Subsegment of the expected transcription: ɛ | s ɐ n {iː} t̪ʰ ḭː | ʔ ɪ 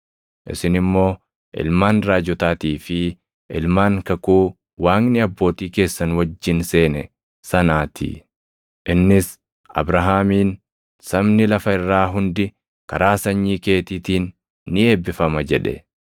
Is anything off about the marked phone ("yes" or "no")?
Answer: yes